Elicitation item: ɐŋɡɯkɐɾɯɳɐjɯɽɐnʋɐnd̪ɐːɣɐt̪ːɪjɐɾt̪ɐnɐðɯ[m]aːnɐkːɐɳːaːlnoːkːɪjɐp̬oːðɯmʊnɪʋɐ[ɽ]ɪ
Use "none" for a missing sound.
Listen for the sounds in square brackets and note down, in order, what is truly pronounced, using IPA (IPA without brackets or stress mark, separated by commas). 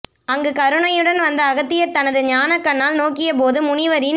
ɲ, ɾ